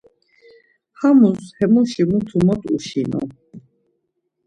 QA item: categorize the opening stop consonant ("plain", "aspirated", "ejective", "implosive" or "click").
aspirated